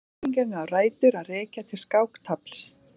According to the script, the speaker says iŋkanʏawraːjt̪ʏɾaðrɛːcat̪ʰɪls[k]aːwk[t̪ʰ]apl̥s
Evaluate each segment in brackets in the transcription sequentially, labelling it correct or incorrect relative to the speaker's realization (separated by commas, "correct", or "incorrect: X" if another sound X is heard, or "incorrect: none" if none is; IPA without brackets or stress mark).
correct, correct